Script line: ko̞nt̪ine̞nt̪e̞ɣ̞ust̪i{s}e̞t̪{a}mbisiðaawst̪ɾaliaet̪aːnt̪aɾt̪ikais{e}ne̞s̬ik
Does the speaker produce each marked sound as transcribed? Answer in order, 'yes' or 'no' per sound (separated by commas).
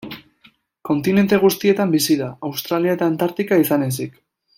no, yes, no